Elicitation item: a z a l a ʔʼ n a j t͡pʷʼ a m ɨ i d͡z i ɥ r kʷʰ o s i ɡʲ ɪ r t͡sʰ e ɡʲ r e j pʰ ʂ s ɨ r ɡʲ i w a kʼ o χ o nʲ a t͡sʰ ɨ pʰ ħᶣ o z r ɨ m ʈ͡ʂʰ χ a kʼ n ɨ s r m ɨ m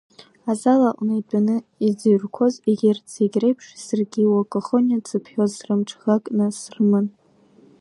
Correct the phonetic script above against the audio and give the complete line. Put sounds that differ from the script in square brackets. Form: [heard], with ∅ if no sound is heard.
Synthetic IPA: a z a l a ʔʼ n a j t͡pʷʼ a [n] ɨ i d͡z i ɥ r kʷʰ o [z] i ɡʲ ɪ r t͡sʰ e ɡʲ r e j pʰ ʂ s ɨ r ɡʲ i w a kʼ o χ o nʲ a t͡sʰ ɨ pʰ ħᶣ o z r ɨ m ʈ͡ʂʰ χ a kʼ n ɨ s r m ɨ [n]